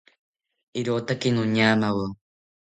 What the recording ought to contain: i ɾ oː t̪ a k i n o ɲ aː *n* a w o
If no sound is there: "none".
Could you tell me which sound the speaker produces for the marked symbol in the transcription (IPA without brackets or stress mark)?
m